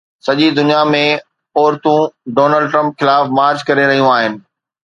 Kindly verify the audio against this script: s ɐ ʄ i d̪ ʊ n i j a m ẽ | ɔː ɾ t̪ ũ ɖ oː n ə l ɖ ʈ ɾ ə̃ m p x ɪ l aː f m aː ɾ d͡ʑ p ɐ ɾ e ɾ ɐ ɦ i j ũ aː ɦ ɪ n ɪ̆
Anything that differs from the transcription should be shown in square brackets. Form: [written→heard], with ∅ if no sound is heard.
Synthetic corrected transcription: s ɐ ʄ i d̪ ʊ n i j a m ẽ | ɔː ɾ t̪ ũ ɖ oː n ə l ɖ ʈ ɾ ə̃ m p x ɪ l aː f m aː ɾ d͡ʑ [p→k] ɐ ɾ e ɾ ɐ ɦ i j ũ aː ɦ ɪ n ɪ̆